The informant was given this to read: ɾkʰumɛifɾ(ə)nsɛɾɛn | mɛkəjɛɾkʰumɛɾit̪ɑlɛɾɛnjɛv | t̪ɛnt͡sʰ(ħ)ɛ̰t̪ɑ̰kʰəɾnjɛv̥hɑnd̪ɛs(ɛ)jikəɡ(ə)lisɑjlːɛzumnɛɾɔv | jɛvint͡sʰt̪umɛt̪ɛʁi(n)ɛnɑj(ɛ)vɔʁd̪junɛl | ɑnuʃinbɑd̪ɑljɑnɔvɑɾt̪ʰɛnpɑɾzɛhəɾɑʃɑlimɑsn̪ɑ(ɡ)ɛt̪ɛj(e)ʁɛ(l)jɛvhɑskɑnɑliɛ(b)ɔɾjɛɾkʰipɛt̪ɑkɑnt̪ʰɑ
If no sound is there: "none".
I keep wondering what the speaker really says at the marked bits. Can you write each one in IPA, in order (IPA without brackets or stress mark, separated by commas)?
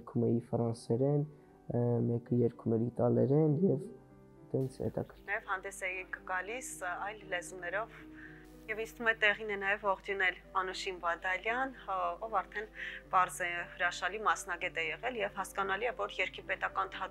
ɑ, h, ɛ, ɑ, n, ɛ, ɡ, ɛ, l, v